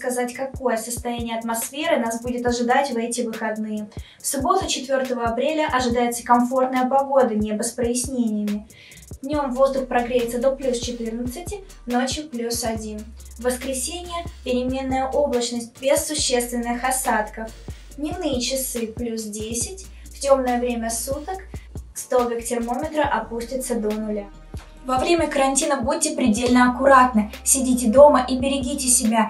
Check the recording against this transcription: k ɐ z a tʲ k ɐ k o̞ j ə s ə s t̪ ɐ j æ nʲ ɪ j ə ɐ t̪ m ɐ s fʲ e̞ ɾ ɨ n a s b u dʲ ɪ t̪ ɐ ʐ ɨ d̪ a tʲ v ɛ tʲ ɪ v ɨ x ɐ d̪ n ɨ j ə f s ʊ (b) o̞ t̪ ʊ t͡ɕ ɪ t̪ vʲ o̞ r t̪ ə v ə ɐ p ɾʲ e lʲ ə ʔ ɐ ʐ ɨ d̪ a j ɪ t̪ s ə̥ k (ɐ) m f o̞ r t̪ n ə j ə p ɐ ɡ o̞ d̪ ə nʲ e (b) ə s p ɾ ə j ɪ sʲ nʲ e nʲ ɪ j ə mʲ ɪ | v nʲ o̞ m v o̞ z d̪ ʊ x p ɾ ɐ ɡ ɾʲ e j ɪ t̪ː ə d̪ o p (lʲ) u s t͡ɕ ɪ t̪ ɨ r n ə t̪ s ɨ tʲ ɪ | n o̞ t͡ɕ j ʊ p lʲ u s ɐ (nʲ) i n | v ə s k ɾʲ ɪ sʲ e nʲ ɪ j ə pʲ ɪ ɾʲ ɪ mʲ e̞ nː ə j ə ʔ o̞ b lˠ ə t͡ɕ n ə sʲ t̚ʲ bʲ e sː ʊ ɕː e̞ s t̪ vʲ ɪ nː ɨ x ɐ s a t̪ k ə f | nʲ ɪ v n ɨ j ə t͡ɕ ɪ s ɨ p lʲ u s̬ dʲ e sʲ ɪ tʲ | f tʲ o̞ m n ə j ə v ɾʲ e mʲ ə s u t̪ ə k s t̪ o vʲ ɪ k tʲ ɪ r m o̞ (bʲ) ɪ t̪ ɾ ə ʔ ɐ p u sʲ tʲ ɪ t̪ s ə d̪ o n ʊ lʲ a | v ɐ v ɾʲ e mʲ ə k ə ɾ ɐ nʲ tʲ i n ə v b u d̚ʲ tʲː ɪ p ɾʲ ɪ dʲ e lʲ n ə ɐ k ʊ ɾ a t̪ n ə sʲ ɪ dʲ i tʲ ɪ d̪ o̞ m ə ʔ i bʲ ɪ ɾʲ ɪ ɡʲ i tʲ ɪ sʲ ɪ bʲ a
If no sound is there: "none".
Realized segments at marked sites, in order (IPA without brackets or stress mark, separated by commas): b, ɐ, b, lʲ, dʲ, mʲ